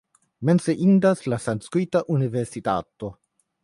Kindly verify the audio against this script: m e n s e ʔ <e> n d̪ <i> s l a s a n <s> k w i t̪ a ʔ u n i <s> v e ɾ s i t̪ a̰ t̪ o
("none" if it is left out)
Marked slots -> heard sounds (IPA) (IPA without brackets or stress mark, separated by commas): i, a, s, none